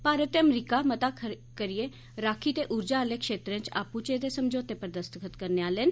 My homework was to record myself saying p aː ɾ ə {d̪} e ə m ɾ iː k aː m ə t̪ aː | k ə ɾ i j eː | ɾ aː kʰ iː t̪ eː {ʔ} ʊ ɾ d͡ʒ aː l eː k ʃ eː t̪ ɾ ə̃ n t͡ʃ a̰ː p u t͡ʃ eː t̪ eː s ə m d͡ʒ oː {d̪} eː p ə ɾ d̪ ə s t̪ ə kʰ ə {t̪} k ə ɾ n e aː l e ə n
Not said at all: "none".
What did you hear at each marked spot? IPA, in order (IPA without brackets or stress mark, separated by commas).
t̪, ʔ, t̪, t̪